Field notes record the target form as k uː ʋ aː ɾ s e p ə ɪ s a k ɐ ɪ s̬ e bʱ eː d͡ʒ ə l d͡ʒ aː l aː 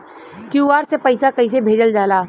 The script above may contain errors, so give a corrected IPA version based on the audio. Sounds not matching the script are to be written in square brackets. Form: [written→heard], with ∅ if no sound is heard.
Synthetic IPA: k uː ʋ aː ɾ s e p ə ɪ s a k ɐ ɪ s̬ e bʱ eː d͡ʒ ə l d͡ʒ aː l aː